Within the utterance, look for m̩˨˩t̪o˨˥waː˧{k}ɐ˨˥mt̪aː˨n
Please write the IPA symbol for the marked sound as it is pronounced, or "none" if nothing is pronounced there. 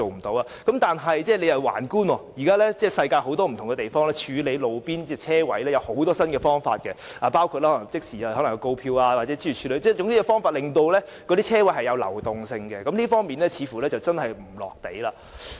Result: k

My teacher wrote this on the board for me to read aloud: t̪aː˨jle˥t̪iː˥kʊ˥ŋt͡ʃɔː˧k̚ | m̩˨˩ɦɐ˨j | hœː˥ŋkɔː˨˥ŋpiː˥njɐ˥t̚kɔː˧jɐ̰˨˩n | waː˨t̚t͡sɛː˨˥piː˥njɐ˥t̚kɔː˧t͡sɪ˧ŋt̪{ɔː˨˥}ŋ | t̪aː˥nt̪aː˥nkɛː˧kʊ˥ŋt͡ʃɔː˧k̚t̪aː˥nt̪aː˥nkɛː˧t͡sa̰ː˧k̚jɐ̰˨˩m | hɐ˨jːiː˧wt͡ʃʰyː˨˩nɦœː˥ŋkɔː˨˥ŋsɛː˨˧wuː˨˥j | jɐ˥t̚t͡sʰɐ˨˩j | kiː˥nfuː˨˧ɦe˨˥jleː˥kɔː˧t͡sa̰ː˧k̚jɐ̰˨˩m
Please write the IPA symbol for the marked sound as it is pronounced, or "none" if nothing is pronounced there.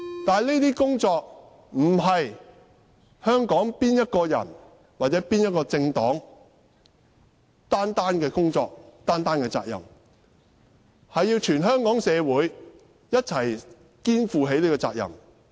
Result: ɔː˨˥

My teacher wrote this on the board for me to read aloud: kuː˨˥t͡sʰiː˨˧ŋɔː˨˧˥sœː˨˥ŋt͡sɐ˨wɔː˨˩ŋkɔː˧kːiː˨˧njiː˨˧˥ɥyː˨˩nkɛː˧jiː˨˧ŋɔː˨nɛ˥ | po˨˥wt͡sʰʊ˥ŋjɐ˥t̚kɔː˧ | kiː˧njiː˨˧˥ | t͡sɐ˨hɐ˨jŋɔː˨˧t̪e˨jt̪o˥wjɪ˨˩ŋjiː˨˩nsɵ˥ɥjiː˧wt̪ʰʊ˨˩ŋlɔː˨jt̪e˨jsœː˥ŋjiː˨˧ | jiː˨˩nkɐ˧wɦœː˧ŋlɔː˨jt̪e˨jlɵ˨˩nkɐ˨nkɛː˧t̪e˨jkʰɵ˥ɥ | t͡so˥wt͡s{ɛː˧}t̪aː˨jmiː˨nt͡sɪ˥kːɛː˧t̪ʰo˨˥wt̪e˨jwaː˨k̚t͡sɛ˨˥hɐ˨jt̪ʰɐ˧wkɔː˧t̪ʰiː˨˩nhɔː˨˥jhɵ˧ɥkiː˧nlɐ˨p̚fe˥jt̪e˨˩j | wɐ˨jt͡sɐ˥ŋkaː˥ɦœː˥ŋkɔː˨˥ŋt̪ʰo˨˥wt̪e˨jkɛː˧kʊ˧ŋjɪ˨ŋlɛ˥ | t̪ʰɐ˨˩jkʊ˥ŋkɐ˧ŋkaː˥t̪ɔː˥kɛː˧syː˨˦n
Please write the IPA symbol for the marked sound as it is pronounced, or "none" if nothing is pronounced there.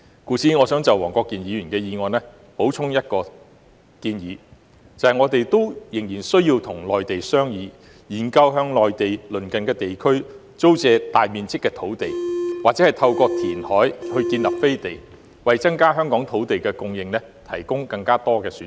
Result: ɛː˧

